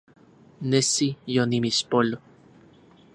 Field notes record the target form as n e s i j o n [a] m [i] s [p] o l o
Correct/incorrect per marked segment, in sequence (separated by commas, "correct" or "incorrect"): incorrect, correct, correct